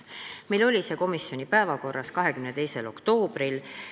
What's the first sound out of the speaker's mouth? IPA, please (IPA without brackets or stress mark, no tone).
m